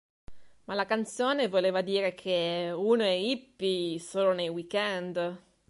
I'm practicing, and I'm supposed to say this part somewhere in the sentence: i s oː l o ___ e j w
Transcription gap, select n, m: n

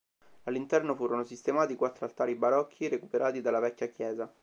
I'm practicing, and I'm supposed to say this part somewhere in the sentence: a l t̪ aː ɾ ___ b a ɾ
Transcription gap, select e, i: i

